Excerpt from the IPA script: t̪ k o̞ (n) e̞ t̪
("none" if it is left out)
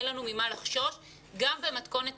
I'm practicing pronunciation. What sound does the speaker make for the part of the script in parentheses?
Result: n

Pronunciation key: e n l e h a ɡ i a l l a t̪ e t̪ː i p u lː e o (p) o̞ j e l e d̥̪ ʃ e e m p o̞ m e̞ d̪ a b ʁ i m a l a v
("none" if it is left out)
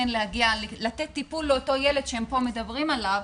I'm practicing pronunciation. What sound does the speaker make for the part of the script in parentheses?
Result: t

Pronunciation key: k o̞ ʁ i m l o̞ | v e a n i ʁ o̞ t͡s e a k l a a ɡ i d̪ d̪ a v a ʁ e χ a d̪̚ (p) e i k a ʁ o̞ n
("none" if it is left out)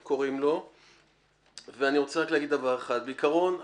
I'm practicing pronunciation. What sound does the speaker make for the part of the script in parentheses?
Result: b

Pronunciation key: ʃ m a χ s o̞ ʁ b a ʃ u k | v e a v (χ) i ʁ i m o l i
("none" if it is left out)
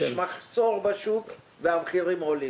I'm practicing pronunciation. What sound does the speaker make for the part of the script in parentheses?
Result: χ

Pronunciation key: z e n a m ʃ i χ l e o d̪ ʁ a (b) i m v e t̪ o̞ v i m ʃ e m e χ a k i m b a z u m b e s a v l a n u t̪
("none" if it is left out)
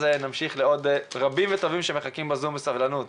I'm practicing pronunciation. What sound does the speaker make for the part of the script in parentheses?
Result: b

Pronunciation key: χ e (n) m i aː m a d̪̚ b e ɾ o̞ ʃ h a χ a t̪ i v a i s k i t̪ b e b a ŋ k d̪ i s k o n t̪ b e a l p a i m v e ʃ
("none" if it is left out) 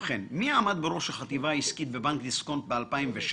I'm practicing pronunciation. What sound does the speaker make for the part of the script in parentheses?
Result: n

